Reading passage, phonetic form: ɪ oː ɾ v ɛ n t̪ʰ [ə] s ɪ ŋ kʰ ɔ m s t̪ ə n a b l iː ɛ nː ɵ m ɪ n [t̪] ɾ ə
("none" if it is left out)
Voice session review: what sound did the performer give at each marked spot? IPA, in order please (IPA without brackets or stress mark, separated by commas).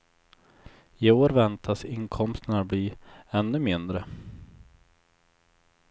a, d̪